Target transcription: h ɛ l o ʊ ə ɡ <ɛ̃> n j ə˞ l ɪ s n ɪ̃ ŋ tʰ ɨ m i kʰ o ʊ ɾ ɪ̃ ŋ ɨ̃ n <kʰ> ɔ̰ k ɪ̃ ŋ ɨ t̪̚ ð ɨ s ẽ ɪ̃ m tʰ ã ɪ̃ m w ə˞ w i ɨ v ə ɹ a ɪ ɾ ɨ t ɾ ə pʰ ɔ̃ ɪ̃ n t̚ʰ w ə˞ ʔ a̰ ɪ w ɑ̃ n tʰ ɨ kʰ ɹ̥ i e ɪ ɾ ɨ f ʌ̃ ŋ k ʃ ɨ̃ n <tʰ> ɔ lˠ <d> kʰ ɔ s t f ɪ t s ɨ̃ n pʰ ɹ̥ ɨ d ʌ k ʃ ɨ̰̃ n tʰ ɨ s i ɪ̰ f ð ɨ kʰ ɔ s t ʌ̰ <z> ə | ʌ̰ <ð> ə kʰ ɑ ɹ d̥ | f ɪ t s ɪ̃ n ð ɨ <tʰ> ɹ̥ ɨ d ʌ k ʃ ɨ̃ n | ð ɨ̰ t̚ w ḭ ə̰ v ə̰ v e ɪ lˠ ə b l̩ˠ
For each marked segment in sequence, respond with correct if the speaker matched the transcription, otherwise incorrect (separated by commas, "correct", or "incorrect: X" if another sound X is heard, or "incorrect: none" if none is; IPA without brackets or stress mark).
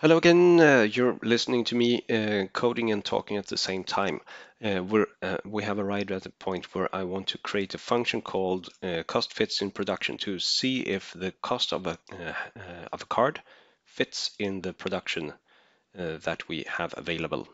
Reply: correct, incorrect: tʰ, incorrect: kʰ, correct, incorrect: v, incorrect: v, incorrect: pʰ